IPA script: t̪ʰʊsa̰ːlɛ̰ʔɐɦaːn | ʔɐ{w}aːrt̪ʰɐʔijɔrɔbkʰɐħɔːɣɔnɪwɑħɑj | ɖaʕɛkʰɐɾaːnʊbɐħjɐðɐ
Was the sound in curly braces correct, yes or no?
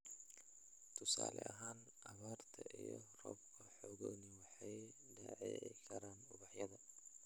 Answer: no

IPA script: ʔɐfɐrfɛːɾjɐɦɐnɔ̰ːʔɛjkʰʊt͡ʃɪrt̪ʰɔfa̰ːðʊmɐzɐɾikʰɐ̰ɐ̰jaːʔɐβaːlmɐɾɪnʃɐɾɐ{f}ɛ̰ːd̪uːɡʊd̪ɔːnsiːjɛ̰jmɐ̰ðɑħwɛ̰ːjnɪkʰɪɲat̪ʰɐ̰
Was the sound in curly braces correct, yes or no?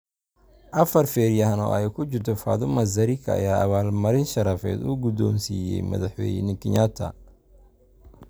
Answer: yes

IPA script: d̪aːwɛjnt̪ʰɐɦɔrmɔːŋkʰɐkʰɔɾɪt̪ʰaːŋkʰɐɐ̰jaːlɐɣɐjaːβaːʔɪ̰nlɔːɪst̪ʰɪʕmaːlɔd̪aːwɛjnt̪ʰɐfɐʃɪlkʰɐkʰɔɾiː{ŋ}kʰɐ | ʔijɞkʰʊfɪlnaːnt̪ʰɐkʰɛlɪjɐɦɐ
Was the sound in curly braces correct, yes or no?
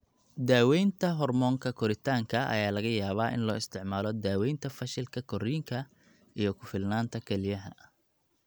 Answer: yes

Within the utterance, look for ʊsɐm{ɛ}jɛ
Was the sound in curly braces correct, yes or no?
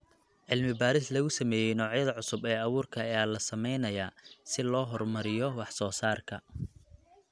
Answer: no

